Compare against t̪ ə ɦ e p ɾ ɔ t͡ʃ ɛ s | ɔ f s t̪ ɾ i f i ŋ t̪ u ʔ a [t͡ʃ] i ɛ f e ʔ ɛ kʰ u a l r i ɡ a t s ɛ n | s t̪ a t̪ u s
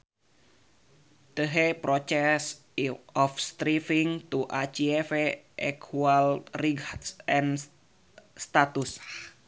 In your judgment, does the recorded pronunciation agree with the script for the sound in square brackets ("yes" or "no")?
yes